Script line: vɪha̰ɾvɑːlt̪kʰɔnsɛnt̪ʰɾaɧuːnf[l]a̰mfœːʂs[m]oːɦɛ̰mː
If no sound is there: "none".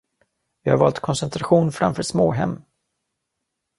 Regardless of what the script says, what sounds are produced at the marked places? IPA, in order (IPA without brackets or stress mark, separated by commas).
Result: ɾ, m